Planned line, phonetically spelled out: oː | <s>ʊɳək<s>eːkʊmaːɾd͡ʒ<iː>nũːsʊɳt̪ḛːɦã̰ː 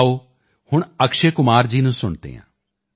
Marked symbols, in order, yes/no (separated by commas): no, no, yes